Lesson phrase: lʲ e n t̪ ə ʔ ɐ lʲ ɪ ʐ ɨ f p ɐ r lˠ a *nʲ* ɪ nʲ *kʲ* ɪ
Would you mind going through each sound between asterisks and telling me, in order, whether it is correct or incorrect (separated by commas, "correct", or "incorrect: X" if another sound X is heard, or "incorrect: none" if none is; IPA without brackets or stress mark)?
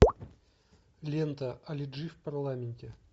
incorrect: mʲ, incorrect: tʲ